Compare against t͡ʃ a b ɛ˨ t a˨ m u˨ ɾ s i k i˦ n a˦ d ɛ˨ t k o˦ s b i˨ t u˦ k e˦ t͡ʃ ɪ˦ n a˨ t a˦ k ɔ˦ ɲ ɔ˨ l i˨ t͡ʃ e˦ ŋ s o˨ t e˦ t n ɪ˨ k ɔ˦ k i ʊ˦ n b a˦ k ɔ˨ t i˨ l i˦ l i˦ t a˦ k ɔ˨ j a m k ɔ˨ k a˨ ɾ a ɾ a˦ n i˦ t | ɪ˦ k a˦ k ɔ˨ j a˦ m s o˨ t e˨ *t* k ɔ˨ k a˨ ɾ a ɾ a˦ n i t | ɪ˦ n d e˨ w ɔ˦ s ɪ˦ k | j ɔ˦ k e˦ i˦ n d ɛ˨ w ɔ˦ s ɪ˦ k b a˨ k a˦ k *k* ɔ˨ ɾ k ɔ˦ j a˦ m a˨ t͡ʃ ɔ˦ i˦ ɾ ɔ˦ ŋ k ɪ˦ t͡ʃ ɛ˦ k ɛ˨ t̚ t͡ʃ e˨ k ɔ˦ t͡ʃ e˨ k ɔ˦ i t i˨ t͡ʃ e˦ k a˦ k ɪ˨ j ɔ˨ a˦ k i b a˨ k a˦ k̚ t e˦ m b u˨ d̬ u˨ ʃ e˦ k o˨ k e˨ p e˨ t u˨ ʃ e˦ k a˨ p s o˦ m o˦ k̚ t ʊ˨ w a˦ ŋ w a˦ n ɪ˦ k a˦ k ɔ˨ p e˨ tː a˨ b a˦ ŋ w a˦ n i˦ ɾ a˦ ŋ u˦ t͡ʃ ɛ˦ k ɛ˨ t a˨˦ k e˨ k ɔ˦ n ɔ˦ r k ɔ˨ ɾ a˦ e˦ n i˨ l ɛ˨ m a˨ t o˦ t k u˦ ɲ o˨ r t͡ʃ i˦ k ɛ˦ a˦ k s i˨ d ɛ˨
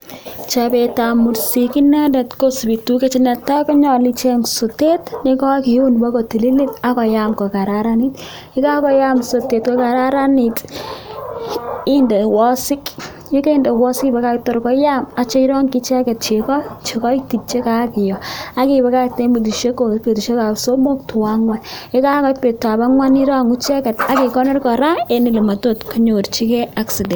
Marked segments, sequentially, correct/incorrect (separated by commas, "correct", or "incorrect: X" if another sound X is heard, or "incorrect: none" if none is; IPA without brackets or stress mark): correct, incorrect: t